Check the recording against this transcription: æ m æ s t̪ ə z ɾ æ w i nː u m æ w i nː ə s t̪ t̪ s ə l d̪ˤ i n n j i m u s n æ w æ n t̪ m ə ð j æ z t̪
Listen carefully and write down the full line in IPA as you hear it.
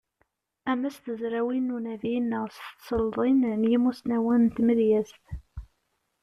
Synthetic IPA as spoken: æ m æ s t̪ ə z ɾ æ w i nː u n æ v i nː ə s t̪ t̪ s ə l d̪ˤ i n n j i m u s n æ w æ n t̪ m ə ð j æ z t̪